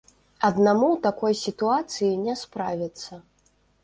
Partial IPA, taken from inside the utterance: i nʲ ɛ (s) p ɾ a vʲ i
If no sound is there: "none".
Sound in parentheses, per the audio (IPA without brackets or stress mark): s